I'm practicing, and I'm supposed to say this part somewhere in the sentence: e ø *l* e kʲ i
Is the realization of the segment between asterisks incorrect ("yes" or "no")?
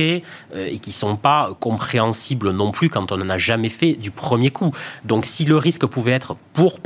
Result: yes